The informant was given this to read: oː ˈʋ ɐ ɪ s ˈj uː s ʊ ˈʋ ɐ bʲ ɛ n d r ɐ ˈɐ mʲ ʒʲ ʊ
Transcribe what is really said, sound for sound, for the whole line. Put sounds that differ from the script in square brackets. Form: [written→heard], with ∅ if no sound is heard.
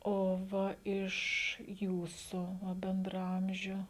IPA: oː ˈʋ ɐ ɪ [s→ʃ] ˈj uː s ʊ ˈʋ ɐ bʲ ɛ n d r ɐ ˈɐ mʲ ʒʲ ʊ